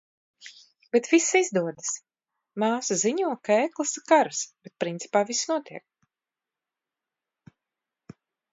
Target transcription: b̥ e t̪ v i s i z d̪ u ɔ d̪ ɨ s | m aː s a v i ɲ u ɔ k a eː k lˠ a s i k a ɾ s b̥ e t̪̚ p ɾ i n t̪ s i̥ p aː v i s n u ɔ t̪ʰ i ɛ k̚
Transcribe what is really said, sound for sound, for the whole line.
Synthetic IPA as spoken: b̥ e t̪ v i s i z d̪ u ɔ d̪ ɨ s | m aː s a z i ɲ u ɔ k a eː k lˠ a s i k a ɾ s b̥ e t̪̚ p ɾ i n t̪ s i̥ p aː v i s n u ɔ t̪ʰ i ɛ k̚